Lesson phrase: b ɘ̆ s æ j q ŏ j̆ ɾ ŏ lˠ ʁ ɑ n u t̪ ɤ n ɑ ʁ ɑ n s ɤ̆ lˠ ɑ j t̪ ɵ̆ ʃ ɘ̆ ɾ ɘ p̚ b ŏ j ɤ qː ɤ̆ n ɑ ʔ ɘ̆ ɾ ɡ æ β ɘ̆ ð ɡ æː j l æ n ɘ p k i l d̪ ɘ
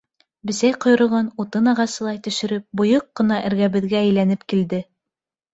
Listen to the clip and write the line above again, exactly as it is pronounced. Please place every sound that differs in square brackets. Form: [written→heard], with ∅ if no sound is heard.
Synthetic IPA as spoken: b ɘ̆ s æ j q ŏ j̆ ɾ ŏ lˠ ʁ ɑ n u t̪ ɤ n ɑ ʁ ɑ [n→∅] s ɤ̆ lˠ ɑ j t̪ ɵ̆ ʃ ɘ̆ ɾ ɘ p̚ b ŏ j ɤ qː ɤ̆ n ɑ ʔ ɘ̆ ɾ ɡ æ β ɘ̆ ð ɡ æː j l æ n ɘ p k i l d̪ ɘ